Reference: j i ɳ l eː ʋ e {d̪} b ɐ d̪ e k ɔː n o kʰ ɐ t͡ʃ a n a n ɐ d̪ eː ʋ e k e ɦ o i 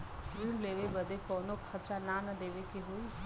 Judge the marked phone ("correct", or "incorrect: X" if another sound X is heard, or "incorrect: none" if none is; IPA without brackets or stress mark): incorrect: none